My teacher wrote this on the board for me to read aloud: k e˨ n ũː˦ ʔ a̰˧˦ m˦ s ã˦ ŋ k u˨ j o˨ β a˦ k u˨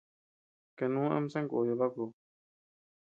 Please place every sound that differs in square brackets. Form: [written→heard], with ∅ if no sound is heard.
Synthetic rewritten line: k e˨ n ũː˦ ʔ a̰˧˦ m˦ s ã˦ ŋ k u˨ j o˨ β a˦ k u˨